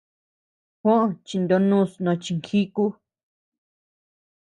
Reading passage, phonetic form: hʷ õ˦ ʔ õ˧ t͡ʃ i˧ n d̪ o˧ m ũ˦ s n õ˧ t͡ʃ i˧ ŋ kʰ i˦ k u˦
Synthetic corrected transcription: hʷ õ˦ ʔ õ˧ t͡ʃ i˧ n d̪ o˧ n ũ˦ s n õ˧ t͡ʃ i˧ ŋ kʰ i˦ k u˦